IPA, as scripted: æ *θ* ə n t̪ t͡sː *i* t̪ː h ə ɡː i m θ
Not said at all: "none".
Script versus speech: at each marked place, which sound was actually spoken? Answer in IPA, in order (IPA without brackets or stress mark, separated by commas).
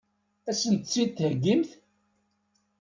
s, i